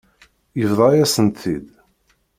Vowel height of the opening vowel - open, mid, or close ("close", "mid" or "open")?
mid